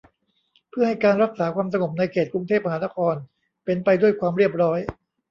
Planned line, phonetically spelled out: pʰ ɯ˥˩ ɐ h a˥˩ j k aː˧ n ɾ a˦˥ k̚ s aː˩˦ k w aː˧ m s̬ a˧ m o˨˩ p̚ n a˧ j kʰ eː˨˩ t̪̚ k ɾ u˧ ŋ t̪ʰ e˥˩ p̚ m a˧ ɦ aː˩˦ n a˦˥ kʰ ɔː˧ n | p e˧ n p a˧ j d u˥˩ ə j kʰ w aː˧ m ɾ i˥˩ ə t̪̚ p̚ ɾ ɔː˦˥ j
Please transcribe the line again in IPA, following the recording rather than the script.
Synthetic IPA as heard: pʰ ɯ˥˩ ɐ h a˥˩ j k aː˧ n ɾ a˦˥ k̚ s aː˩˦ k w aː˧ m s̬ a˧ ŋ o˨˩ p̚ n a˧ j kʰ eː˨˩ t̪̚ k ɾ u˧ ŋ t̪ʰ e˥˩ p̚ m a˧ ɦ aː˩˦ n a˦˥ kʰ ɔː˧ n | p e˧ n p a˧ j d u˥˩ ə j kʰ w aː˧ m ɾ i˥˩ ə p̚ ɾ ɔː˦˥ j